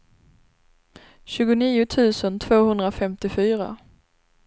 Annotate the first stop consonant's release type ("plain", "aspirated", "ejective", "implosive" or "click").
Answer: plain